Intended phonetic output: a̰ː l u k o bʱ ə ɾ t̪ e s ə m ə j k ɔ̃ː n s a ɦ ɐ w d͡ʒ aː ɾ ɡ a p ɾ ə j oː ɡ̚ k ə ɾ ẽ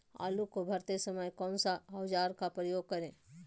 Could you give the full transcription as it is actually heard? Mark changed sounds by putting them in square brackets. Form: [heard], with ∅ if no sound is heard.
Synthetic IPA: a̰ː l u k o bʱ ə ɾ t̪ e s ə m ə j k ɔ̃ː n s a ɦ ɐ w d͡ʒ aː ɾ [k] a p ɾ ə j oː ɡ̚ k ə ɾ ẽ